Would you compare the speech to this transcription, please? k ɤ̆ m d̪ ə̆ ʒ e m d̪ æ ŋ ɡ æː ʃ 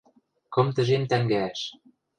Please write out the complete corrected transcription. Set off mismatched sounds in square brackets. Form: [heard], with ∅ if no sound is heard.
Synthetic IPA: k ɤ̆ m [t̪] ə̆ ʒ e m [t̪] æ ŋ ɡ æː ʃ